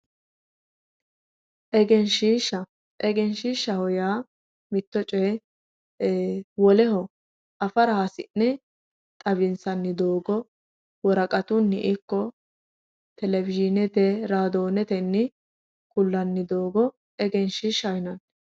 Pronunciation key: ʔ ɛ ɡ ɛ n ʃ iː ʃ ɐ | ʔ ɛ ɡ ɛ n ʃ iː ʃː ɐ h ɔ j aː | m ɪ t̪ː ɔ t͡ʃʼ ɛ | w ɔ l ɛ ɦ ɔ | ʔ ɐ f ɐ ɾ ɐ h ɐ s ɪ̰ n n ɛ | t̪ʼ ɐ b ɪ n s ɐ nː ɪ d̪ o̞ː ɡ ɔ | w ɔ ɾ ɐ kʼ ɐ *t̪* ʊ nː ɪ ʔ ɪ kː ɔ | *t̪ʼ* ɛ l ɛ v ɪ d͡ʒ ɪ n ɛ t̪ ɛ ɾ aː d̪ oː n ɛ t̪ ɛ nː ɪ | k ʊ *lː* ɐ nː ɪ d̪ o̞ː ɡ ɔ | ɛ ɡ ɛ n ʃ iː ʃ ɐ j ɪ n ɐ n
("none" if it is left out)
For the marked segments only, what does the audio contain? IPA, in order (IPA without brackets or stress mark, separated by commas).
t̪, t̪, lː